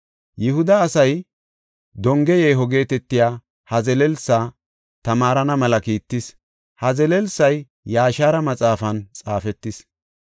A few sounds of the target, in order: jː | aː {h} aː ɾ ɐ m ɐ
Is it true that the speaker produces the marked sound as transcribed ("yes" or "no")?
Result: no